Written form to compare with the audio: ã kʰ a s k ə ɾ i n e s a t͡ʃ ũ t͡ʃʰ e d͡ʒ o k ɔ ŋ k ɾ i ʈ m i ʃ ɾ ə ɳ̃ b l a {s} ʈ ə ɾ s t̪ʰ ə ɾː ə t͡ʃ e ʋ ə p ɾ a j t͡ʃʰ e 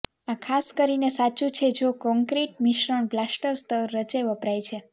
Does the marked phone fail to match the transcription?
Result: no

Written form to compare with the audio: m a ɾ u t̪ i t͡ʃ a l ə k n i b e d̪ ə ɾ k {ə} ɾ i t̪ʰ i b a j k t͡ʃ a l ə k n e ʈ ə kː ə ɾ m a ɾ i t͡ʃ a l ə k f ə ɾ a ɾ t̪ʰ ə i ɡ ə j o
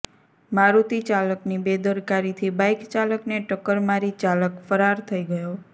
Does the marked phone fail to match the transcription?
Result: yes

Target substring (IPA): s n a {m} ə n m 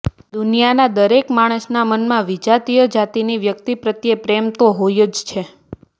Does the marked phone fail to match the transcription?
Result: no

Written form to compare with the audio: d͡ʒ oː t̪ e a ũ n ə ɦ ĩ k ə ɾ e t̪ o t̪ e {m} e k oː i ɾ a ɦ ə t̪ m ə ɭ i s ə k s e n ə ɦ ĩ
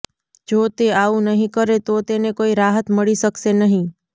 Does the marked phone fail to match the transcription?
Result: yes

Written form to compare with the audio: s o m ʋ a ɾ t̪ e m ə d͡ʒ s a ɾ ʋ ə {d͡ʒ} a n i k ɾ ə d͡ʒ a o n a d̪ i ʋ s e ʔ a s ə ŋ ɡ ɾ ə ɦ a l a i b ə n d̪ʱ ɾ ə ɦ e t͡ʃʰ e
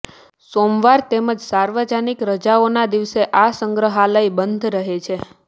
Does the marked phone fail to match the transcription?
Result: no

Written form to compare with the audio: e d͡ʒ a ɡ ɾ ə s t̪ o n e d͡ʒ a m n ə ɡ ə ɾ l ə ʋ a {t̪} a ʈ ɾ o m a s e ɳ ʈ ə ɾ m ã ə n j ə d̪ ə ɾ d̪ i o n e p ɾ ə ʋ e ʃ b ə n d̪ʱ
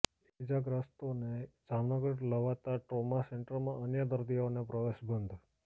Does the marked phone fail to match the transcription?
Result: no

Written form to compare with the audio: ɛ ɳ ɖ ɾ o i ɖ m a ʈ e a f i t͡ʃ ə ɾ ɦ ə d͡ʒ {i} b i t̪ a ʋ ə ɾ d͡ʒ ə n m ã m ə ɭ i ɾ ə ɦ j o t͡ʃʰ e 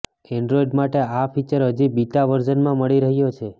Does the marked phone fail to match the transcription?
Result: no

